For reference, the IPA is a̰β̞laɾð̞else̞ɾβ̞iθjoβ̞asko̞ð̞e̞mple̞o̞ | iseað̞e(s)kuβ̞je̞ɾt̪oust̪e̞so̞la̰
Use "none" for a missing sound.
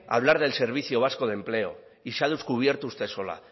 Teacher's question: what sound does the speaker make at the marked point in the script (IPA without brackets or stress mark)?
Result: s